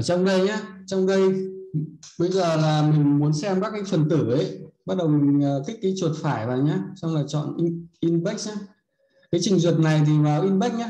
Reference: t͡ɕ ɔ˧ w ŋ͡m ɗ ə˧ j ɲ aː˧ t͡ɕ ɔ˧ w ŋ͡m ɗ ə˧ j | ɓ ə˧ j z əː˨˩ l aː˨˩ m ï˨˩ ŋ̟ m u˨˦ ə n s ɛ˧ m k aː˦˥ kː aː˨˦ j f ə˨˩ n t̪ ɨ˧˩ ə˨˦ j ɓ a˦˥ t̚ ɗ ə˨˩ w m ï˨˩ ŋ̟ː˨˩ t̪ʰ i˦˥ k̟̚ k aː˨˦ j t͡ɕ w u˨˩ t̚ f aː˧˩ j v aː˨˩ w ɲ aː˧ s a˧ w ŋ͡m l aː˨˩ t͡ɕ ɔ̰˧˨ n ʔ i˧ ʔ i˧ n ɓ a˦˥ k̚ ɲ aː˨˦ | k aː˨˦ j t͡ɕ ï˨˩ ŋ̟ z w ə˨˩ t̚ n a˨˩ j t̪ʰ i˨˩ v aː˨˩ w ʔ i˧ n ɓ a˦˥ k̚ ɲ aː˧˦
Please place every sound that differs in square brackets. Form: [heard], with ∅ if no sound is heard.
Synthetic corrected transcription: t͡ɕ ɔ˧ w ŋ͡m ɗ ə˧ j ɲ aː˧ t͡ɕ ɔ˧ w ŋ͡m ɗ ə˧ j | ɓ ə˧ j z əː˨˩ l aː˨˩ m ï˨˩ ŋ̟ m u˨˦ ə n s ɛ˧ m k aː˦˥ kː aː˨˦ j f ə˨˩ n t̪ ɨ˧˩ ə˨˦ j ɓ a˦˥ t̚ ɗ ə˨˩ w m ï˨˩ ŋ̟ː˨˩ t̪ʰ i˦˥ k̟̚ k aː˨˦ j t͡ɕ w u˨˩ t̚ f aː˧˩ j v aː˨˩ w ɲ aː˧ s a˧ w ŋ͡m l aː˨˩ t͡ɕ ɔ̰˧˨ n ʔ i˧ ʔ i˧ n ɓ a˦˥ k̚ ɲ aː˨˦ | k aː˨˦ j t͡ɕ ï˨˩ ŋ̟ z w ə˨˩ t̚ n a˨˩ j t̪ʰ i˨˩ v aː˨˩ w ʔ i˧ n ɓ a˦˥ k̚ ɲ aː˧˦